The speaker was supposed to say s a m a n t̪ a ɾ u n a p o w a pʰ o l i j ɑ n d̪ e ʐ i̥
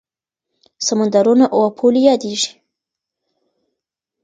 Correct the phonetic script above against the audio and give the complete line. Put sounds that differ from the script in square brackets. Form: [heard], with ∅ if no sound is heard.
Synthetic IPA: s a m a n [d̪] a ɾ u n a [ʔ] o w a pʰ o l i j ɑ [∅] d̪ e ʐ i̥